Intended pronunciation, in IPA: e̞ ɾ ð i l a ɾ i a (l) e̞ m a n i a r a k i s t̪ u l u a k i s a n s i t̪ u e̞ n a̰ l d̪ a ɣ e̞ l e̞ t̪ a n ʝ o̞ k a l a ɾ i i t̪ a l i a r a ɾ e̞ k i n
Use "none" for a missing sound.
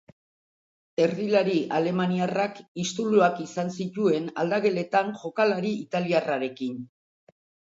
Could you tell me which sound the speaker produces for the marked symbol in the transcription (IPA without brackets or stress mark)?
l